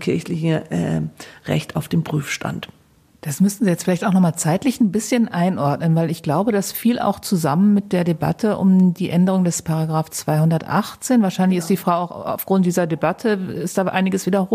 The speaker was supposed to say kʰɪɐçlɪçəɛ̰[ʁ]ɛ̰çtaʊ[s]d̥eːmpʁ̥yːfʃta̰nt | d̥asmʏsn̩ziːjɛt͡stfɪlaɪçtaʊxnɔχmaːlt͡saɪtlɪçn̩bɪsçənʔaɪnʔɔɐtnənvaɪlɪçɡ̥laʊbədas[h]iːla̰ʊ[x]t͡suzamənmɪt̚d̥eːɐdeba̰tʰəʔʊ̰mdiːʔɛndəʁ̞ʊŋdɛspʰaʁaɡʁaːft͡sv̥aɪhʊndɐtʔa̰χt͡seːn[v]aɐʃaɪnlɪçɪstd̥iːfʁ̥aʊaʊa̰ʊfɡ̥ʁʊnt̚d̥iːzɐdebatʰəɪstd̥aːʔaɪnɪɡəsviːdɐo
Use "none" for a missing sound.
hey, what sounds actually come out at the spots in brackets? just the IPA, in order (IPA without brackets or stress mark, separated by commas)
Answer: ʁ, f, f, x, v